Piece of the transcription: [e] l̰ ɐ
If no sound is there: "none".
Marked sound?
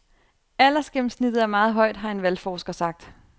æ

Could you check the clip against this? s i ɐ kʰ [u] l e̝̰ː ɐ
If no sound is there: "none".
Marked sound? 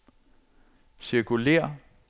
u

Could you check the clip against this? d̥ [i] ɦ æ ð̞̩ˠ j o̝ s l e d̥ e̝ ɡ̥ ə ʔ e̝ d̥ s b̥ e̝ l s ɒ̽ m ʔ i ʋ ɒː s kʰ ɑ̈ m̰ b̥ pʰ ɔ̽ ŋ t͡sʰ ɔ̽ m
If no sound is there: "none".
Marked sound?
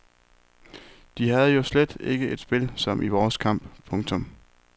i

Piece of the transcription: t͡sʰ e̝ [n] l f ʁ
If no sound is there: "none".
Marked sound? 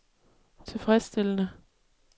none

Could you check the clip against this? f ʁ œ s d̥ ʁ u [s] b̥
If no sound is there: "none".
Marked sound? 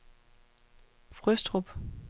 none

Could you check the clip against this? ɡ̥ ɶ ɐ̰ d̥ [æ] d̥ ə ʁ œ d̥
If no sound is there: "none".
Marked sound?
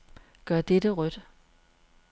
e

